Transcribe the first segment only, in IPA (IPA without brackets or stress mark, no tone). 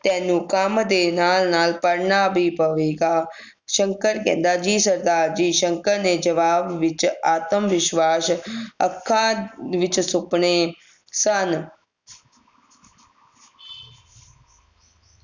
t̪